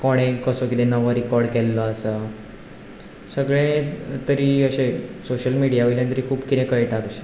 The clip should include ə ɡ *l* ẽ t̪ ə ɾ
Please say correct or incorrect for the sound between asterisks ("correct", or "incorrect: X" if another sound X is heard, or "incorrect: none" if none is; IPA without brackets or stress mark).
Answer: incorrect: ɭ